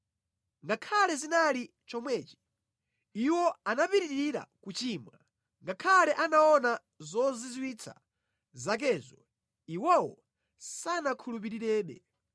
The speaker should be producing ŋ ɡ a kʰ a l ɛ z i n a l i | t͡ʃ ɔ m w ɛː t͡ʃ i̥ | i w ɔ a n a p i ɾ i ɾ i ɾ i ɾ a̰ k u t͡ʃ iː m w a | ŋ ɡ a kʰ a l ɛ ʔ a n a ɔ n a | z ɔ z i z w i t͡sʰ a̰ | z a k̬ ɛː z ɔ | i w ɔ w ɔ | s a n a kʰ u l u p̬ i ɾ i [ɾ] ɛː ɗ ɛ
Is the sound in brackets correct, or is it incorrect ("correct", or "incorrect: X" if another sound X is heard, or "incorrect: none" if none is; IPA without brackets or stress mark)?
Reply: correct